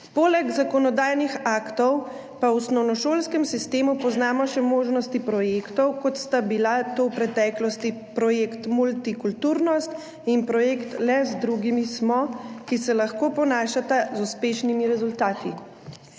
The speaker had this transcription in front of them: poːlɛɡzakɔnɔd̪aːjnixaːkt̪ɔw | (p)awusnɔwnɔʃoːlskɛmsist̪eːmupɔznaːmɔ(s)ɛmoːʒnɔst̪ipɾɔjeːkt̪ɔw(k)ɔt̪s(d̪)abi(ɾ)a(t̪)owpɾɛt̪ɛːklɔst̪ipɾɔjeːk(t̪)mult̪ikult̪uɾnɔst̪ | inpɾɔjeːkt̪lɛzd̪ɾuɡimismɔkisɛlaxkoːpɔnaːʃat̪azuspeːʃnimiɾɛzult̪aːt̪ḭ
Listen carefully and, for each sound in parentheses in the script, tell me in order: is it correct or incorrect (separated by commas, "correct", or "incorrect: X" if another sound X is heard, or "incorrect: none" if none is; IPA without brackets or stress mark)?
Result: correct, incorrect: ʃ, correct, incorrect: t̪, incorrect: l, correct, correct